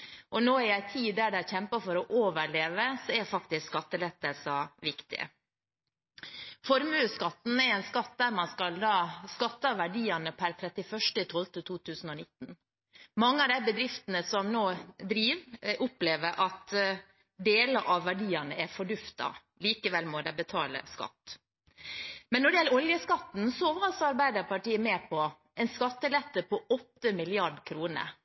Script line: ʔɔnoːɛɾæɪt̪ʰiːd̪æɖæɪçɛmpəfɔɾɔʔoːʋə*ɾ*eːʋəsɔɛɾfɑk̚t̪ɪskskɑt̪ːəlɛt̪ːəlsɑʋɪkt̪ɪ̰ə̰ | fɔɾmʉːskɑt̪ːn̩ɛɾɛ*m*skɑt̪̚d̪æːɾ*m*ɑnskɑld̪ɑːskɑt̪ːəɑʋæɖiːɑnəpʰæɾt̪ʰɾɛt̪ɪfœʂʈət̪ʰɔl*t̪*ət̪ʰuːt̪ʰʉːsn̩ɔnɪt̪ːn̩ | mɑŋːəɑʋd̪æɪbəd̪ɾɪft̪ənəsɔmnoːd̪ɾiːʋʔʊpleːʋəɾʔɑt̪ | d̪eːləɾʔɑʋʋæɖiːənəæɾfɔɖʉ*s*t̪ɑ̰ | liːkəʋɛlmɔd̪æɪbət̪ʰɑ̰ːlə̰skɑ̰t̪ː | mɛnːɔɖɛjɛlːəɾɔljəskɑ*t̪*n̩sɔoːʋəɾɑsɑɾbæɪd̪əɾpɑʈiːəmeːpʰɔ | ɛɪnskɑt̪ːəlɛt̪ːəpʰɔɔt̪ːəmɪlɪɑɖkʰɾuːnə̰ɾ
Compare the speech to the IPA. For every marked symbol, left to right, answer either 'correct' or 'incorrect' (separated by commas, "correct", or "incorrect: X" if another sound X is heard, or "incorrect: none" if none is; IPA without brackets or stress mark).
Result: incorrect: ɭ, incorrect: n, correct, correct, incorrect: f, correct